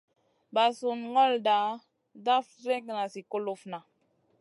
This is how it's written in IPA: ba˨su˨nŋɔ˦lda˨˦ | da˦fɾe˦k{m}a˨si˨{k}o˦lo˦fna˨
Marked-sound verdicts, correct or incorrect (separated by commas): incorrect, correct